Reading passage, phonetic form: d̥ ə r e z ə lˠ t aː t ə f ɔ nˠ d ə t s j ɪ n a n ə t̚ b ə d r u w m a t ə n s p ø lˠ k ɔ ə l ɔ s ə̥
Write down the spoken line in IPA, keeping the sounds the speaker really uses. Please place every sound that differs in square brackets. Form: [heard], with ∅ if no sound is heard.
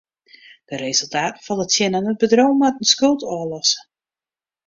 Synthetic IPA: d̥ ə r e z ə lˠ t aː t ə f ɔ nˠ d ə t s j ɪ n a n ə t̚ b ə d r [o] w m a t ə n s [k] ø lˠ [t] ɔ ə l ɔ s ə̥